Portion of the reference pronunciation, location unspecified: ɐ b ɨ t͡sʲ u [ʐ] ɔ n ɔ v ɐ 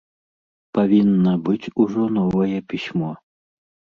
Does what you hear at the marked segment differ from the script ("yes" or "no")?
no